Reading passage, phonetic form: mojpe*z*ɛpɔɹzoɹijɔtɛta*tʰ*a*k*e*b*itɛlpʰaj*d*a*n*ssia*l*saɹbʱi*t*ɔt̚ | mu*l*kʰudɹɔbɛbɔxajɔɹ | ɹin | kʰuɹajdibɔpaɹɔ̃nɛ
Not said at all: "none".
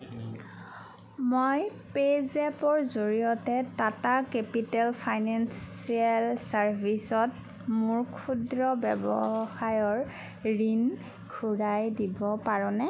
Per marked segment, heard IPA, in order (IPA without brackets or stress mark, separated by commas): z, t, k, p, n, n, l, s, ɹ